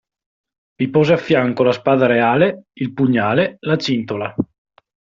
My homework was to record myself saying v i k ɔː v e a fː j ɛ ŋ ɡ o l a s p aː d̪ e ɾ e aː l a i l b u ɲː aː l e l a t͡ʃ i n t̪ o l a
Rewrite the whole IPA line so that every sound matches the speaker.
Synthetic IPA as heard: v i p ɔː z e a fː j a ŋ k o l a s p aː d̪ a ɾ e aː l e i l p u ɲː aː l e l a t͡ʃ i n t̪ o l a

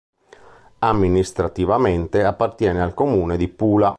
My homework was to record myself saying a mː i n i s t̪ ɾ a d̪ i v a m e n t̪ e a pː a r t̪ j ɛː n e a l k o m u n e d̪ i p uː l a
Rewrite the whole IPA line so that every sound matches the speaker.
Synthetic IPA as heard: a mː i n i s t̪ ɾ a t̪ i v a m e n t̪ e a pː a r t̪ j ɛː n e a l k o m uː n e d̪ i p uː l a

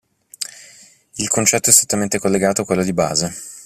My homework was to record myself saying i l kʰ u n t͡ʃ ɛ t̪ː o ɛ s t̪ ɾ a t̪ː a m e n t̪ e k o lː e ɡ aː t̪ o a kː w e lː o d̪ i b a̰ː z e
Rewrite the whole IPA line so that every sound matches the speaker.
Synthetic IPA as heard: i l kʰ o n t͡ʃ ɛ t̪ː o ɛ s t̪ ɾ e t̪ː a m e n t̪ e k o lː e ɡ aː t̪ o a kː w e lː o d̪ i b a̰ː z e

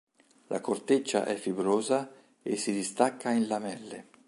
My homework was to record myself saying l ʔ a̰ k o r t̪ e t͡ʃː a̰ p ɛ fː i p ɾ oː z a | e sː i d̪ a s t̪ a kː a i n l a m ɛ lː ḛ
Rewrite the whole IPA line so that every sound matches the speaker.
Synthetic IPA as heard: l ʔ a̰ k o r t̪ e t͡ʃː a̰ ʔ ɛ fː i b ɾ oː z a | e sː i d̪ i s t̪ a kː a i n l a m ɛ lː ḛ

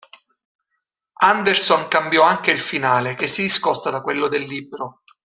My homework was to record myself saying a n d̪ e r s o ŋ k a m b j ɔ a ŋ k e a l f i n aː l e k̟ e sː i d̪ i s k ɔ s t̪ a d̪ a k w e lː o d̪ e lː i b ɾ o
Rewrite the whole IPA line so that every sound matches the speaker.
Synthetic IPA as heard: a n d̪ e r s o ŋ k a m b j ɔ a ŋ k e i l f i n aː l e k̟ e sː i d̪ i s k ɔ s t̪ a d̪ a k w e lː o d̪ e lː i b ɾ o

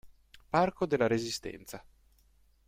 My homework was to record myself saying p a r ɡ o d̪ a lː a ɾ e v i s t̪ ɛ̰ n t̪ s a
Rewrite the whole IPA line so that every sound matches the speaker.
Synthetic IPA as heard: p a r k o d̪ e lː a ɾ e z i s t̪ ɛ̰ n t̪ s a

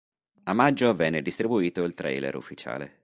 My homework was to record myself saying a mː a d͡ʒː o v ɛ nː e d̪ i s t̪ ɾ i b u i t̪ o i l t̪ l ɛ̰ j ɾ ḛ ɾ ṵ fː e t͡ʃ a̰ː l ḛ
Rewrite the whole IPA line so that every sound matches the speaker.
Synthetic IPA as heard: a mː a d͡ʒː o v ɛ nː e d̪ i s t̪ ɾ i b u iː t̪ o i l t̪ ɾ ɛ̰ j l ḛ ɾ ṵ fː i t͡ʃ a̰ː l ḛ

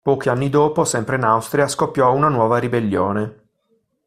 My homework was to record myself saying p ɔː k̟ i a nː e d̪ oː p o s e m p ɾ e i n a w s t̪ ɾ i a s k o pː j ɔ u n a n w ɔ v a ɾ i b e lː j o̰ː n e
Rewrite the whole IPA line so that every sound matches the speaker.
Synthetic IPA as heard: p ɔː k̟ i a nː i d̪ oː p o s ɛ m p ɾ e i n a w s t̪ ɾ i a s k o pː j ɔ u n a n w ɔː v a ɾ i b e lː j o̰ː n e

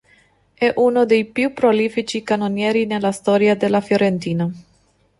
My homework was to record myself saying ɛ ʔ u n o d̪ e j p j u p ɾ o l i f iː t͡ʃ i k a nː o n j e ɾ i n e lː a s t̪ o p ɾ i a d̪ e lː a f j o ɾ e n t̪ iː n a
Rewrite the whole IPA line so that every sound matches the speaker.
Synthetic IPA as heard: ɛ ʔ u n o d̪ e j p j u p ɾ o l i f i t͡ʃ i k a n o n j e ɾ i n e l a s t̪ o ɾ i a d̪ e l a f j o ɾ e n t̪ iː n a

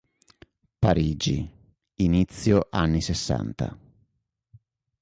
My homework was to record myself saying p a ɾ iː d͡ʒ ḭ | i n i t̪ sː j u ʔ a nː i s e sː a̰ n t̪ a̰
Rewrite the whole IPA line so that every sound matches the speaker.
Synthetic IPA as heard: p a ɾ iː d͡ʒ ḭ | i n i t̪ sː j o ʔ a nː i s e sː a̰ n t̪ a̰

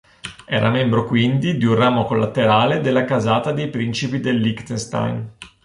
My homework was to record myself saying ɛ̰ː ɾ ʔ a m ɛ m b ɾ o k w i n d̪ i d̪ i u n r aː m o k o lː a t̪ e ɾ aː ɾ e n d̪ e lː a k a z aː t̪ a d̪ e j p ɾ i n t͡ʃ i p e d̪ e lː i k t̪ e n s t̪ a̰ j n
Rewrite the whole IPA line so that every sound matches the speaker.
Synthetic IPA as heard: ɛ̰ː ɾ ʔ a m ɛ m b ɾ o k w i n d̪ i d̪ i u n r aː m o k o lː a t̪ e ɾ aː l e d̪ e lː a k a z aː t̪ a d̪ e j p ɾ i n t͡ʃ i p i d̪ e lː i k t̪ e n s t̪ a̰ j n

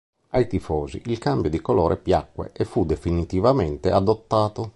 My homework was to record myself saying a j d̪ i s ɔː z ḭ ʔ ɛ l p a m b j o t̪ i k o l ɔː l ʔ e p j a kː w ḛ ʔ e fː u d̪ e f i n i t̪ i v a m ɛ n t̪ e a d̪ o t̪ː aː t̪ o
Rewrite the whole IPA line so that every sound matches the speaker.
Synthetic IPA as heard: a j t̪ i f ɔː z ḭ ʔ i l k a m b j o d̪ i k o l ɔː ɾ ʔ e p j a kː w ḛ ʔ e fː u d̪ e f i n i t̪ i v a m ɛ n t̪ e a d̪ o t̪ː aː t̪ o

